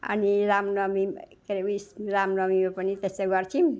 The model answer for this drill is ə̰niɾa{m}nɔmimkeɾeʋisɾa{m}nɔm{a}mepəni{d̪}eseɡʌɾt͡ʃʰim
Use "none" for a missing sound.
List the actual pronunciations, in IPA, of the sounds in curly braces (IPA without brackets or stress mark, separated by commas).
m, m, i, t̪